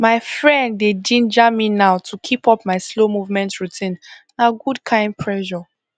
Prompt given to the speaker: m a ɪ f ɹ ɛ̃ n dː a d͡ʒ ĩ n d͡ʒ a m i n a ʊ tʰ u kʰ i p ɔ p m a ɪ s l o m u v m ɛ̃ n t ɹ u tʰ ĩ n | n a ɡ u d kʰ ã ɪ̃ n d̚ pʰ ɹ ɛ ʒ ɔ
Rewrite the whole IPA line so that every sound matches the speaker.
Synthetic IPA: m a ɪ f ɹ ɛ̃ n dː e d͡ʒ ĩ n d͡ʒ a m i n a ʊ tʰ u kʰ i p ɔ p m a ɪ s l o m u v m ɛ̃ n t ɹ u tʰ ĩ n | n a ɡ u d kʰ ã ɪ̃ n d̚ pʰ ɹ ɛ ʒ ɔ